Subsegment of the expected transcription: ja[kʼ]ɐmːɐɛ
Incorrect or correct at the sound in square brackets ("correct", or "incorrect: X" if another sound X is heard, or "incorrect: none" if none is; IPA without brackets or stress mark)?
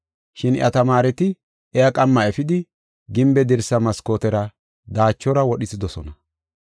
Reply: correct